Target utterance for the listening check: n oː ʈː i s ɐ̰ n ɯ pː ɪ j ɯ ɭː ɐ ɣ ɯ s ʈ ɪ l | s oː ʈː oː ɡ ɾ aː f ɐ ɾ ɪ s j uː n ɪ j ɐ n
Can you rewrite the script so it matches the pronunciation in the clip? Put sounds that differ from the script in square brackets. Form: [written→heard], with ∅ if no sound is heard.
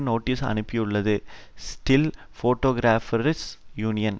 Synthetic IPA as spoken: n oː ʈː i s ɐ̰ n ɯ pː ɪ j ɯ ɭː ɐ [ɣ→ð] ɯ s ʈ ɪ l | [s→f] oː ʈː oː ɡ ɾ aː f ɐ ɾ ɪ s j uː n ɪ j ɐ n

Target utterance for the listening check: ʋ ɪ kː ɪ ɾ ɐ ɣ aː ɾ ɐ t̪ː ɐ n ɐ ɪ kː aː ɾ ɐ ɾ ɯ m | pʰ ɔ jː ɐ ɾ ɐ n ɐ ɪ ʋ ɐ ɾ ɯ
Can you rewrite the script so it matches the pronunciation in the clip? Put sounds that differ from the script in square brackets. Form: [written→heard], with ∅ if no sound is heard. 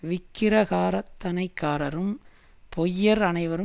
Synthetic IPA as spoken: ʋ ɪ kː ɪ ɾ ɐ ɣ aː ɾ ɐ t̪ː ɐ n ɐ ɪ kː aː ɾ ɐ ɾ ɯ m | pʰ ɔ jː ɐ ɾ ɐ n ɐ ɪ ʋ ɐ ɾ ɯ

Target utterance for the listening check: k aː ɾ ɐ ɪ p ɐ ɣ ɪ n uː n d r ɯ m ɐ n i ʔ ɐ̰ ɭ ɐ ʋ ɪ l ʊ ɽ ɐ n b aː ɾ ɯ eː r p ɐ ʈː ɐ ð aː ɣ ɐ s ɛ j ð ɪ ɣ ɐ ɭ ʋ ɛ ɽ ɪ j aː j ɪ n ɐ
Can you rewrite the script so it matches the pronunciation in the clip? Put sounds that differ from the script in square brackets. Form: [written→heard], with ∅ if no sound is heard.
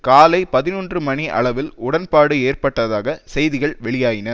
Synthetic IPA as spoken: k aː [ɾ→l] ɐ ɪ p ɐ [ɣ→ð] ɪ n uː n d r ɯ m ɐ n i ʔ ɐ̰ ɭ ɐ ʋ ɪ l ʊ ɽ ɐ n [b→p] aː [ɾ→ɽ] ɯ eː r p ɐ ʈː ɐ ð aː ɣ ɐ s ɛ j ð ɪ ɣ ɐ ɭ ʋ ɛ [ɽ→ɭ] ɪ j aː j ɪ n ɐ

